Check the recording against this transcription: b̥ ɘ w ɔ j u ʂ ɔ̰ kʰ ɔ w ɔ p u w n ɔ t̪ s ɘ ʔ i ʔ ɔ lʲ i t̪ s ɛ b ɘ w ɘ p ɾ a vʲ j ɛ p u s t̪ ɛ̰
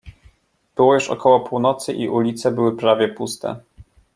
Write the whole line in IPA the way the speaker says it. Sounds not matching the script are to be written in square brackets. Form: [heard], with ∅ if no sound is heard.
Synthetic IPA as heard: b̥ ɘ w ɔ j u ʂ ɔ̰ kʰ ɔ w ɔ p u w n ɔ t̪ s ɘ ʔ i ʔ [u] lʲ i t̪ s ɛ b ɘ w ɘ p ɾ a vʲ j ɛ p u s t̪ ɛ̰